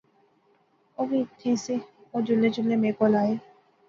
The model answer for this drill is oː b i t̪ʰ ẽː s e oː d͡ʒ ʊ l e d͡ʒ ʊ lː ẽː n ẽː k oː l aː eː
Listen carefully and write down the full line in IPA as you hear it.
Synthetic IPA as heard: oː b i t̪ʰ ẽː s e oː d͡ʒ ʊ l e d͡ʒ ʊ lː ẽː m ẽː k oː l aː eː